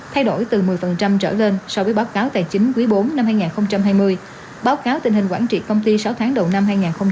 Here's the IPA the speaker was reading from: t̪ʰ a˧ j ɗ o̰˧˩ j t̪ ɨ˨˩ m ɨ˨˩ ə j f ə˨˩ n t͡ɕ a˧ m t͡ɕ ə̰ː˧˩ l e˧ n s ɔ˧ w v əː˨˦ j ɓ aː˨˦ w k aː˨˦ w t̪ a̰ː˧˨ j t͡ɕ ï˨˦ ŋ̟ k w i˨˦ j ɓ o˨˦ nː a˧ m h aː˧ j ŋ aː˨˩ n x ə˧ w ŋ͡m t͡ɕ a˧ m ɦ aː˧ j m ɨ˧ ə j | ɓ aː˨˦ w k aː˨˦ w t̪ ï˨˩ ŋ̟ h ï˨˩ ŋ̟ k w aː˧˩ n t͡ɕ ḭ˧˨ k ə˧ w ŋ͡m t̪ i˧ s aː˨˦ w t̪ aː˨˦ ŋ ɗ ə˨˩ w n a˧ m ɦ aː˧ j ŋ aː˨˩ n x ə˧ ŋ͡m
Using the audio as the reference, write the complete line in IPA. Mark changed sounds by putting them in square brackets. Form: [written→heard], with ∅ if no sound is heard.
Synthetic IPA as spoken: t̪ʰ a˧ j ɗ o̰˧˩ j t̪ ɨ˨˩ m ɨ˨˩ ə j f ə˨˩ n t͡ɕ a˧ m t͡ɕ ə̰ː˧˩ l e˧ n s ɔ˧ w v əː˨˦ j ɓ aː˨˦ w k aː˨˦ w t̪ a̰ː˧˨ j t͡ɕ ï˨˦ ŋ̟ k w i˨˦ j ɓ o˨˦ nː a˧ m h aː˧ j ŋ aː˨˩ n x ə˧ w ŋ͡m t͡ɕ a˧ m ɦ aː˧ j m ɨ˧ ə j | ɓ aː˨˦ w k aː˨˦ w t̪ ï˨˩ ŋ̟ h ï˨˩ ŋ̟ k w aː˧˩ n t͡ɕ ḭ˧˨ k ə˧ w ŋ͡m t̪ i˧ s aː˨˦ w [t̪→t̪ʰ] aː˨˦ ŋ ɗ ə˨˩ w n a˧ m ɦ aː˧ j ŋ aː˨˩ n x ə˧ ŋ͡m